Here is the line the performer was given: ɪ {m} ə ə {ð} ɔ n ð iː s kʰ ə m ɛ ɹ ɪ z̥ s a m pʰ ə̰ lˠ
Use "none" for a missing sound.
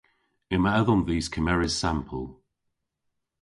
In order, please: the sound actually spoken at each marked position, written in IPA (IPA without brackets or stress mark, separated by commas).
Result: m, ð